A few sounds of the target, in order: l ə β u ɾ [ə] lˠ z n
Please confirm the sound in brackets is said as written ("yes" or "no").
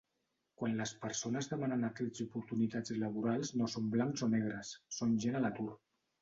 no